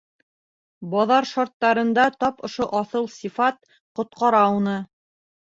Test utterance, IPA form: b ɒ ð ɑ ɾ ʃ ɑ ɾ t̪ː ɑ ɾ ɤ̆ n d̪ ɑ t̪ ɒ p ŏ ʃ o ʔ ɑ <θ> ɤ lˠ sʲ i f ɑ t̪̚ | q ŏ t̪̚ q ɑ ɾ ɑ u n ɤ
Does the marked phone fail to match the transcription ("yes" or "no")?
no